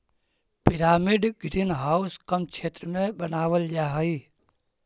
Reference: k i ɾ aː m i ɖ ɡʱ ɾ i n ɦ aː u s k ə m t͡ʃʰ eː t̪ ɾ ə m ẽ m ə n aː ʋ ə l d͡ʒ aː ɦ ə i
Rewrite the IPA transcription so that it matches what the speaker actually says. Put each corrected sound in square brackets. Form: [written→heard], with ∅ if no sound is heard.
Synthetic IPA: [k→p] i ɾ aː m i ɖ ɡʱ ɾ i n ɦ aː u s k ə m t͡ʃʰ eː t̪ ɾ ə m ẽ [m→b] ə n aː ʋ ə l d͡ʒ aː ɦ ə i